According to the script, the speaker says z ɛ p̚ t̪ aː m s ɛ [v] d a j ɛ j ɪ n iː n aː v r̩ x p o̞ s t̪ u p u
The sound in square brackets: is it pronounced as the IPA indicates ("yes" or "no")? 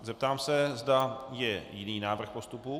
no